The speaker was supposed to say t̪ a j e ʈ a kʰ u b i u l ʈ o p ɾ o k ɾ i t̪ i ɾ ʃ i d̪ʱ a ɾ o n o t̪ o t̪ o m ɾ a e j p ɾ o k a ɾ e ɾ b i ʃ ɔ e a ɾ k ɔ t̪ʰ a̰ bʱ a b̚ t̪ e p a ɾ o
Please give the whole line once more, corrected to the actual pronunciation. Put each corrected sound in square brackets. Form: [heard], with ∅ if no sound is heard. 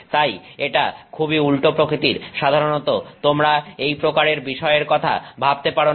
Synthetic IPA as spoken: t̪ a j e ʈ a kʰ u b i u l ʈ o p ɾ o k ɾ i t̪ i ɾ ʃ [a] d̪ʱ a ɾ o n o t̪ o t̪ o m ɾ a e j p ɾ o k a ɾ e ɾ b i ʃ ɔ e [e] ɾ k ɔ t̪ʰ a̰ bʱ a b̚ t̪ e p a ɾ o